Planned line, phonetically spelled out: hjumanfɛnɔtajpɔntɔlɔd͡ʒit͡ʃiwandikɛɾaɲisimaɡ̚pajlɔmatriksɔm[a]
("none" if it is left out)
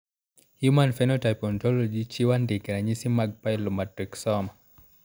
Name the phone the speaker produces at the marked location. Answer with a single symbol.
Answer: a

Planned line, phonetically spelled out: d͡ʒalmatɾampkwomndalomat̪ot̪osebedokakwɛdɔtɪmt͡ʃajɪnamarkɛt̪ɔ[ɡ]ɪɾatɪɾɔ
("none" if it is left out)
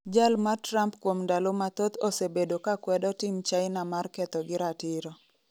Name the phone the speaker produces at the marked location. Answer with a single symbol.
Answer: ɡ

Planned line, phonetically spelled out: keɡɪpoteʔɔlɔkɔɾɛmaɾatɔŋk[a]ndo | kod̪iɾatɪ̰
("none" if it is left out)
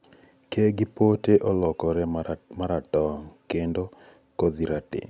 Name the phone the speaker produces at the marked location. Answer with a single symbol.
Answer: e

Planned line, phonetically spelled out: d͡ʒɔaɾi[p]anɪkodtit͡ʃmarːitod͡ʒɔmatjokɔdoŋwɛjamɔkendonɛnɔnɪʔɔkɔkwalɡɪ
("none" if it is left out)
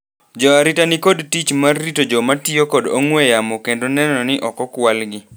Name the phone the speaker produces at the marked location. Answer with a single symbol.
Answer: t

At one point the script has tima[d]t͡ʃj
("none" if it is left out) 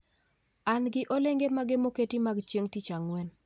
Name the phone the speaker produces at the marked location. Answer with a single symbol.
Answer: ɡ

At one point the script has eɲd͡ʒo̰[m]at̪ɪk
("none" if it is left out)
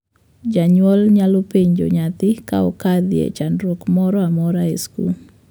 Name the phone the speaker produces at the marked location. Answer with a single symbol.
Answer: ɲ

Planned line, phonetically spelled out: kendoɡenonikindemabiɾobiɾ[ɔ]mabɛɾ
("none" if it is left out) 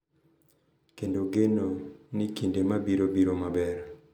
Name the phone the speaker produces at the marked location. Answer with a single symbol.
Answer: o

